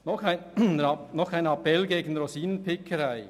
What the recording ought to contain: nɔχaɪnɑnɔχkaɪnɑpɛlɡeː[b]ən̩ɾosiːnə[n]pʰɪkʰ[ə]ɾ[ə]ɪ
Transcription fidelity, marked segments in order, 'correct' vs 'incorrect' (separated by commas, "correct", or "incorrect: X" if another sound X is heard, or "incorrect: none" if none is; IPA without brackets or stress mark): incorrect: ɡ, correct, correct, incorrect: a